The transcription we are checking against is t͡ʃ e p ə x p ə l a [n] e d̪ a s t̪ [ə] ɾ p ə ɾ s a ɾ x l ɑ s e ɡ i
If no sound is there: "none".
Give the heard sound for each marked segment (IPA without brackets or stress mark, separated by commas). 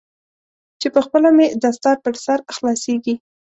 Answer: m, ɑ